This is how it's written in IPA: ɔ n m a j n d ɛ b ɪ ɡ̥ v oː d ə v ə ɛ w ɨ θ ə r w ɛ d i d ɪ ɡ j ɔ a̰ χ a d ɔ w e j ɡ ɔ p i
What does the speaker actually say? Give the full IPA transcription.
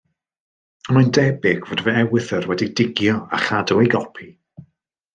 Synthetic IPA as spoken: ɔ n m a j n d ɛ b ɪ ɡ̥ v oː d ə v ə ɛ w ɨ θ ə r w ɛ d i d ɪ ɡ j ɔ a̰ χ a d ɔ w e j ɡ ɔ pʰ i